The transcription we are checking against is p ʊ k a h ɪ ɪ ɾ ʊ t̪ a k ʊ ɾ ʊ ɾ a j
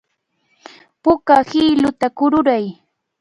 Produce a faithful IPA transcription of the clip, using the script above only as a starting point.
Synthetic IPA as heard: p ʊ k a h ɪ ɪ l ʊ t̪ a k ʊ ɾ ʊ ɾ a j